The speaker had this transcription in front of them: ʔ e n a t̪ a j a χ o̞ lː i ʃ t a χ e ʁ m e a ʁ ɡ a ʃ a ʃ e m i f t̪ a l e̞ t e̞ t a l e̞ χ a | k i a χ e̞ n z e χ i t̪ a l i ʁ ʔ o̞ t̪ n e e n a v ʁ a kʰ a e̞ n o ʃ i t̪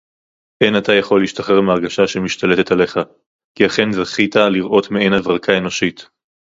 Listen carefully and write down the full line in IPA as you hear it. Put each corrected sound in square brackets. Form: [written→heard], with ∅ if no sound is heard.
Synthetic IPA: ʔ e n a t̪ a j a χ o̞ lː i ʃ t a χ e ʁ m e a ʁ ɡ a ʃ a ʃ e m i [f→ʃ] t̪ a l e̞ t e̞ t a l e̞ χ a | k i a χ e̞ n z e χ i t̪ a l i ʁ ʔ o̞ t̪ [n→m] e e n a v ʁ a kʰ a e̞ n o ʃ i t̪